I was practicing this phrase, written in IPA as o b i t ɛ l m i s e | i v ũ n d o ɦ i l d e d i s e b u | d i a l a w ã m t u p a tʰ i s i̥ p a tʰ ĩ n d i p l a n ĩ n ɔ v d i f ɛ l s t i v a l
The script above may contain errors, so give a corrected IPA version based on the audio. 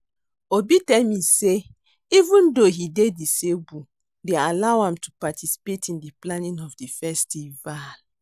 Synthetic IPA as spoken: o b i t ɛ l m i s e | i v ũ n d o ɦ i d e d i s e b u | d e a l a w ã m t u p a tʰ i s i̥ p e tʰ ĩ n d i p l a n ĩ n ɔ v d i f ɛ s t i v a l

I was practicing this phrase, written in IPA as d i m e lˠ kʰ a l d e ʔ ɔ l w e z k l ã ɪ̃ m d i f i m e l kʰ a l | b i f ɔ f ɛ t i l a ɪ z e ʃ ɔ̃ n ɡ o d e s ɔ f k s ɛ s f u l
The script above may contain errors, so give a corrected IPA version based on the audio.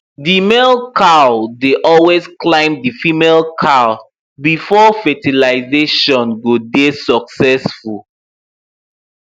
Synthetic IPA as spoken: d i m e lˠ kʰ a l d e ʔ ɔ l w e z k l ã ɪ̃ m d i f i m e l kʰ a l | b i f ɔ f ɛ t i l a ɪ z e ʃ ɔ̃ n ɡ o d e s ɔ k s ɛ s f u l

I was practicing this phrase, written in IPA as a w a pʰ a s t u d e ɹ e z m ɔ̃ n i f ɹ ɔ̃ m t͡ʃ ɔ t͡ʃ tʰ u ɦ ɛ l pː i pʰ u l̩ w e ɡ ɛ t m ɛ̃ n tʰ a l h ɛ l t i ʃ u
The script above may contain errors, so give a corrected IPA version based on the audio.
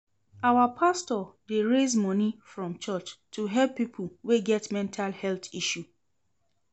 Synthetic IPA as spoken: a w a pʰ a s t ɔ d e ɹ e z m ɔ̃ n i f ɹ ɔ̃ m t͡ʃ ɔ t͡ʃ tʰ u ɦ ɛ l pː i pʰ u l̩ w e ɡ ɛ t m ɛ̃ n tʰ a l h ɛ l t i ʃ u

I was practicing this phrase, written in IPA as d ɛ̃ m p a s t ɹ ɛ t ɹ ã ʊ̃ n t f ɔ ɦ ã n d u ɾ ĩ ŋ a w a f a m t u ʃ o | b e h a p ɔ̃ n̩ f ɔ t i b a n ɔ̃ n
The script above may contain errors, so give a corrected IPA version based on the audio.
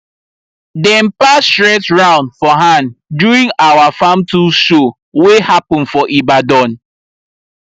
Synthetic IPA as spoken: d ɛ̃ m p a s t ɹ ɛ t ɹ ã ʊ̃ n d f ɔ ɦ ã n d u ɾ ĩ ŋ a w a f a m t u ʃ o | w e h a p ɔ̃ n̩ f ɔ ʔ i b a d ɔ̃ n

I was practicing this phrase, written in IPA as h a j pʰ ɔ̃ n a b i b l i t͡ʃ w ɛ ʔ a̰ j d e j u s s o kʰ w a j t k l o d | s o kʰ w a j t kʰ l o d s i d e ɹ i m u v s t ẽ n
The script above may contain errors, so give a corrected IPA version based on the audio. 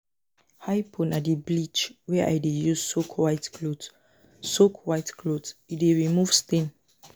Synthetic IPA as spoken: h a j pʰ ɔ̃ n a d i b l i t͡ʃ w ɛ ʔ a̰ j d e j u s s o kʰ w a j t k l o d | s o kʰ w a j t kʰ l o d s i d e ɹ i m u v s t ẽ n

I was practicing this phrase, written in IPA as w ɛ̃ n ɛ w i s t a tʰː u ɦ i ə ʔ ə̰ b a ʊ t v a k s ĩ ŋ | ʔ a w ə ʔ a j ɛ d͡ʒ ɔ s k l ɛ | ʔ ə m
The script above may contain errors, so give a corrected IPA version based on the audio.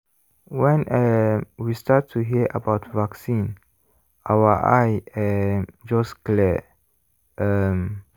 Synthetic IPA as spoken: w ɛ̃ n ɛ w i s t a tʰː u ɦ i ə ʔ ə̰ b a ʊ t v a k s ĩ n | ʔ a w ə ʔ a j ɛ d͡ʒ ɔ s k l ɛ | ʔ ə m

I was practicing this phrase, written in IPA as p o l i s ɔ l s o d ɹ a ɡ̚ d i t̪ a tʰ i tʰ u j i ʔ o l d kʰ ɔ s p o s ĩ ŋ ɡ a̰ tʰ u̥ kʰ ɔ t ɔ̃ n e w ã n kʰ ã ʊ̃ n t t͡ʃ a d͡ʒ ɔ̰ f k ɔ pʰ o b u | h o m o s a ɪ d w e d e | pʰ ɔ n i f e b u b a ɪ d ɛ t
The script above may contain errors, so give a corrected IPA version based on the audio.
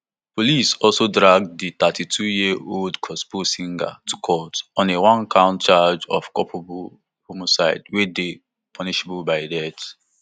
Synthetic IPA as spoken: p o l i s ɔ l s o d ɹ a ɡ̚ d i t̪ a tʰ i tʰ u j i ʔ o l d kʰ ɔ s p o s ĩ ŋ ɡ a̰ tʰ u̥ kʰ ɔ t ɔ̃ n e w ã n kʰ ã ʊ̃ n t t͡ʃ a d͡ʒ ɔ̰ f k ɔ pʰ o b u | h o m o s a ɪ d w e d e | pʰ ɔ n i ʃ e b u b a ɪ d ɛ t

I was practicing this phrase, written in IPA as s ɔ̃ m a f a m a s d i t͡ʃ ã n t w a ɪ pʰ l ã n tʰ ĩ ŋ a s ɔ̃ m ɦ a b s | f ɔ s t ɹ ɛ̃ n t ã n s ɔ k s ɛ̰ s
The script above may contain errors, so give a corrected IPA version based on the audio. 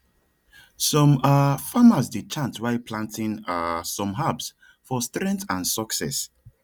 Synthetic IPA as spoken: s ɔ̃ m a f a m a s d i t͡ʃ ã n t w a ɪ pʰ l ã n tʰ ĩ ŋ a s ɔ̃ m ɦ a b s | f ɔ s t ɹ ɛ̃ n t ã n s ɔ k s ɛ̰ s

